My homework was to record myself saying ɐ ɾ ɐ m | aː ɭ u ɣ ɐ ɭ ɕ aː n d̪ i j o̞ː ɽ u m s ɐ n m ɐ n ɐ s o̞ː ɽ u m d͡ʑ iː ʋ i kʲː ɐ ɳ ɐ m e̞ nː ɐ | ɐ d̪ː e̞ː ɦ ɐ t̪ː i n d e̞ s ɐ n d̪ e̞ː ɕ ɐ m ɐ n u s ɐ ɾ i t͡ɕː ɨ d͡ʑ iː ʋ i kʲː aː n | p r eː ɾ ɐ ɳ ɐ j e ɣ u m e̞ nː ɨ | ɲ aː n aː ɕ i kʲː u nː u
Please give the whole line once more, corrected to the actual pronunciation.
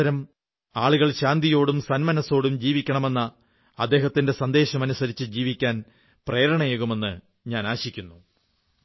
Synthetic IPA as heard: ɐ ɾ ɐ m | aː ɭ u ɣ ɐ ɭ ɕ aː n d̪ i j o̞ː ɽ u m s ɐ n m ɐ n ɐ s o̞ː ɽ u m d͡ʑ iː ʋ i kʲː ɐ ɳ ɐ m e̞ nː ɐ | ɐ d̪ː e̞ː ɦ ɐ t̪ː i n d e̞ s ɐ n d̪ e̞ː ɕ ɐ m ɐ n u s ɐ ɾ i t͡ɕː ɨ d͡ʑ iː ʋ i kʲː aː n | p r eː ɾ ɐ ɳ ɐ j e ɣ u m e̞ nː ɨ | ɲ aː n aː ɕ i kʲː u nː u